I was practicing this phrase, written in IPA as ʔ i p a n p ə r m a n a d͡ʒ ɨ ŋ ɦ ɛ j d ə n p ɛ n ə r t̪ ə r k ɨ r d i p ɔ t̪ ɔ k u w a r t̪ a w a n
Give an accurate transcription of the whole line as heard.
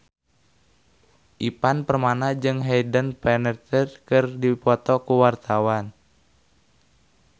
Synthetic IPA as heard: ʔ i p a n p ə r m a n a d͡ʒ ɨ ŋ ɦ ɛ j d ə n p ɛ n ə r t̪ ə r k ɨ r d i p ɔ t̪ ɔ k u w a r t̪ a w a n